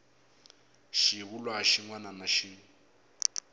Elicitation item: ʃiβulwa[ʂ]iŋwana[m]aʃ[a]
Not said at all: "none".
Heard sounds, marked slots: ʃ, n, i

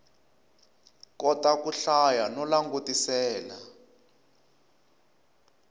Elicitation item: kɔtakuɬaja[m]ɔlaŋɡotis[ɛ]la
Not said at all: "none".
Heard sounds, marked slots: n, ɛː

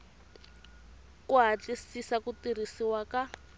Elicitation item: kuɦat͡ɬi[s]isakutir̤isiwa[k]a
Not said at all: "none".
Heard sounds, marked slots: s, k

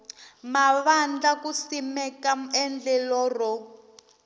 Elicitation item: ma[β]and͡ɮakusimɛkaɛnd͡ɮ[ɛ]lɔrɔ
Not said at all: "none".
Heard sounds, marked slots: β, ɛ

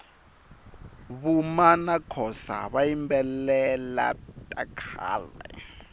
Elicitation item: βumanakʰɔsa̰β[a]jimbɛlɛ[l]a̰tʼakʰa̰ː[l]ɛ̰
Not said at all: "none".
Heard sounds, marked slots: a, l, l

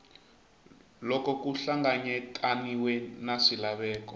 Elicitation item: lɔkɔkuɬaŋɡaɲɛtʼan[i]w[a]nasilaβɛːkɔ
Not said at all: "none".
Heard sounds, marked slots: i, ɛ

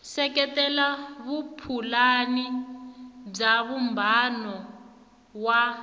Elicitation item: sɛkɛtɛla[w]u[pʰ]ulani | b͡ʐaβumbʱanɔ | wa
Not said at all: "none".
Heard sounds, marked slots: β, pʰ

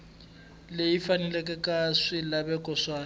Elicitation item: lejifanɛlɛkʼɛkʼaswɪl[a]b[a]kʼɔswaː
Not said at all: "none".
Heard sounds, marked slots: a, ɛ

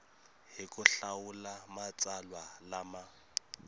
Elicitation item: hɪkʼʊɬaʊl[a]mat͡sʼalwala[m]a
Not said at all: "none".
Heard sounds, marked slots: a, m

